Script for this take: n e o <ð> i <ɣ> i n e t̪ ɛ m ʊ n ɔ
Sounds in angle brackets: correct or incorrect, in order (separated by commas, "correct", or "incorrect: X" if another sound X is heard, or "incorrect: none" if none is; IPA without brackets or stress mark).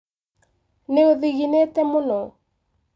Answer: correct, correct